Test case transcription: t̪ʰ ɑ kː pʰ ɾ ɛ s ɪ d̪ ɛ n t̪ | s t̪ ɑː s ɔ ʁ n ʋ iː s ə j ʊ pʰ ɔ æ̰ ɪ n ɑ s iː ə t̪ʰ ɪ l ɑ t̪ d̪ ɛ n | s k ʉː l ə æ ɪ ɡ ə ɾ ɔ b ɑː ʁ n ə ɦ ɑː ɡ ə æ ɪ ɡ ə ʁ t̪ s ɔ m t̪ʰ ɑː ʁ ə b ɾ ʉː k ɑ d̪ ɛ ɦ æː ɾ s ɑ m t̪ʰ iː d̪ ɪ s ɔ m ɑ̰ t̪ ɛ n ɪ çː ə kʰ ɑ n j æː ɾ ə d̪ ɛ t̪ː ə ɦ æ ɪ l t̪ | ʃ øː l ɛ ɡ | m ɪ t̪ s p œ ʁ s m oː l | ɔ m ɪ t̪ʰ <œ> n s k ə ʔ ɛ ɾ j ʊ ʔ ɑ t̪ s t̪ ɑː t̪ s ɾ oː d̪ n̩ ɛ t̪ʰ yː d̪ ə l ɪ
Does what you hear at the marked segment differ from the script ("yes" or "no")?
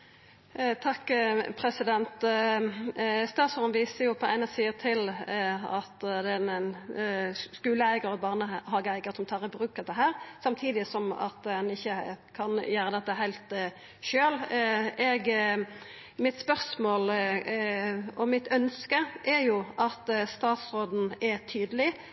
no